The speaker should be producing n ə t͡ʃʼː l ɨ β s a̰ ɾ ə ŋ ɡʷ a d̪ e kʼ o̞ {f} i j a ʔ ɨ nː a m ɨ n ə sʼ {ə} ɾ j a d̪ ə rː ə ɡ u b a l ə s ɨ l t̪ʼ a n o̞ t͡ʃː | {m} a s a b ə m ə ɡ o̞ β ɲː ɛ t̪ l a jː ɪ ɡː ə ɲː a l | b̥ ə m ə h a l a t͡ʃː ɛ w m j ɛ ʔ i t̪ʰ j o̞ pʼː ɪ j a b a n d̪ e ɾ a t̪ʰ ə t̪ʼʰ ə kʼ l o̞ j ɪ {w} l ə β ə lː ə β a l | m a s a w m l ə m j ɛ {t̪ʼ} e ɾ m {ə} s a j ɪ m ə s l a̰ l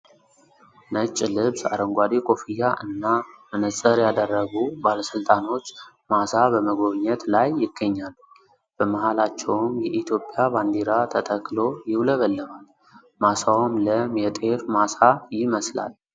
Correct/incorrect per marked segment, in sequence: correct, correct, correct, correct, correct, incorrect

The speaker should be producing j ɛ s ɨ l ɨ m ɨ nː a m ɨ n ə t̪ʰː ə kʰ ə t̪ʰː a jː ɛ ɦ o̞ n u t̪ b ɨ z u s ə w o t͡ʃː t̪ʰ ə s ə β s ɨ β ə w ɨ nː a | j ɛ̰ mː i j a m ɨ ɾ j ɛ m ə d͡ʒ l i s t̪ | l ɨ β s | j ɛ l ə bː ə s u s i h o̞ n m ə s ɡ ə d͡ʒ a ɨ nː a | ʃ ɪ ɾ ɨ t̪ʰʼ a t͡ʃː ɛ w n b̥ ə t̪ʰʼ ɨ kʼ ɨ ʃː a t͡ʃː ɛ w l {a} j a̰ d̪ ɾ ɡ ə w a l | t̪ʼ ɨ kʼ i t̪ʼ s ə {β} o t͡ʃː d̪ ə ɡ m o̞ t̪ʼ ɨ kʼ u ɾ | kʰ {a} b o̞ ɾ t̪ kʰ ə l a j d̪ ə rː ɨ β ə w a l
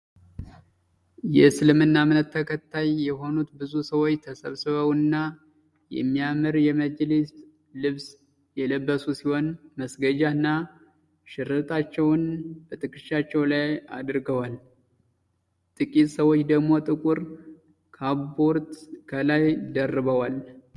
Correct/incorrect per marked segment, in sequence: correct, incorrect, correct

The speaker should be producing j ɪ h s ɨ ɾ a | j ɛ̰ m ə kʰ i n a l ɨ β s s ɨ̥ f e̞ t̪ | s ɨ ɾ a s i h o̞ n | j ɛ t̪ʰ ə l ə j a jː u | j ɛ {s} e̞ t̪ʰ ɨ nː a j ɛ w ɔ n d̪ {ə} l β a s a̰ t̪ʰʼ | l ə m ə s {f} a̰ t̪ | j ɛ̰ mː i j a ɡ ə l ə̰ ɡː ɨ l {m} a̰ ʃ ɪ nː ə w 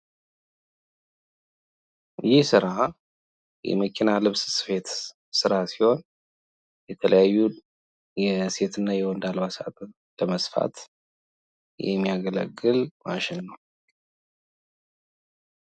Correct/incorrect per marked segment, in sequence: correct, incorrect, correct, correct

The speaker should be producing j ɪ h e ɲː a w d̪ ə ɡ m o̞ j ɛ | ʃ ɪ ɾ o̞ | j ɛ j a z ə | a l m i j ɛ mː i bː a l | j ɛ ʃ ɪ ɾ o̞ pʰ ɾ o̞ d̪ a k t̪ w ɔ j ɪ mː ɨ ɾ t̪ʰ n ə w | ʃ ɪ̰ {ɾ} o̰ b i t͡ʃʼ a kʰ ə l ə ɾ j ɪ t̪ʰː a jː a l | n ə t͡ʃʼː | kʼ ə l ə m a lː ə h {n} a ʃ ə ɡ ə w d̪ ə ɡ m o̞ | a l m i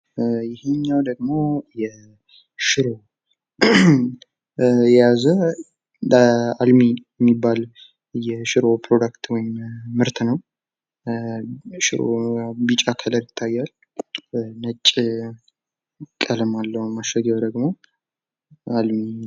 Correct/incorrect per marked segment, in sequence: correct, incorrect

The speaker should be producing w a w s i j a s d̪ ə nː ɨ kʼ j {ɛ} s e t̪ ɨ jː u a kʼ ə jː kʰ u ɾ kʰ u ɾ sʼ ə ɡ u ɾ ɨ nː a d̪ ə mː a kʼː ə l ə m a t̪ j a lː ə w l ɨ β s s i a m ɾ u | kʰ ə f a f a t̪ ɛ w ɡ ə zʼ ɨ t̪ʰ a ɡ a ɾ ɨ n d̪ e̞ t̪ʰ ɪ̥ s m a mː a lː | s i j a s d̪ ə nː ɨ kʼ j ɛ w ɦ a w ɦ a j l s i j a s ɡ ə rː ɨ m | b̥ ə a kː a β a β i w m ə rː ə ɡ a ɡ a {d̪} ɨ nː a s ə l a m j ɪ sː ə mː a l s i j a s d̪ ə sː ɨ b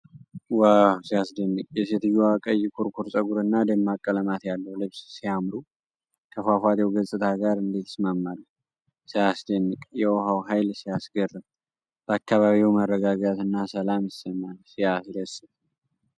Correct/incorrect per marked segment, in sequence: correct, incorrect

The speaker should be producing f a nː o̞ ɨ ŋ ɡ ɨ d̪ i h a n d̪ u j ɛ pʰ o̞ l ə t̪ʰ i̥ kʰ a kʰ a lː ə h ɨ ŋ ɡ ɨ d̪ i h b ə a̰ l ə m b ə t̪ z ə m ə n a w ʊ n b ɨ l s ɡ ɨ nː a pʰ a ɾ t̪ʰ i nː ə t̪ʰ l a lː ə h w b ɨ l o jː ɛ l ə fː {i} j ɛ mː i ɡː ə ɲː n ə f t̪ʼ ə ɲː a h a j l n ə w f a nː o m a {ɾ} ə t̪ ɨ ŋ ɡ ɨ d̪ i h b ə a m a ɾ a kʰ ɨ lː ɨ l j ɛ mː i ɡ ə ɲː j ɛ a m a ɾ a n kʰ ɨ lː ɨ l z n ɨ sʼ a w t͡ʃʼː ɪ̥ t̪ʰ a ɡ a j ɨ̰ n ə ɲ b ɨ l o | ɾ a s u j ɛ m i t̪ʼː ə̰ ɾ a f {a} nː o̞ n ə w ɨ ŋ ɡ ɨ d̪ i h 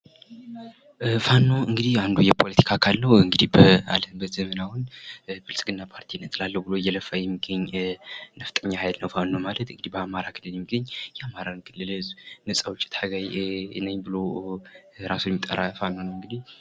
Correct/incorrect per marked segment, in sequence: incorrect, incorrect, correct

